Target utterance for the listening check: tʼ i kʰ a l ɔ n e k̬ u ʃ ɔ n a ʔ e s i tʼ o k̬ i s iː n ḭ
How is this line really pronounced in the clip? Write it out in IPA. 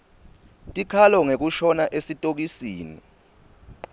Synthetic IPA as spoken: tʼ i kʰ a l ɔ ŋ e k̬ u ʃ ɔ n a ʔ e s i tʼ o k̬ i s iː n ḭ